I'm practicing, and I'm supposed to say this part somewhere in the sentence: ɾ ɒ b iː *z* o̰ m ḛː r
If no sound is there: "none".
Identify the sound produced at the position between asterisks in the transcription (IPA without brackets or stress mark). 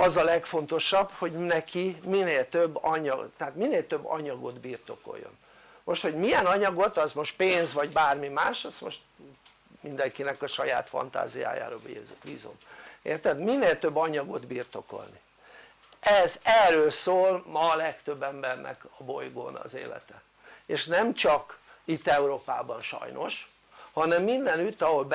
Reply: z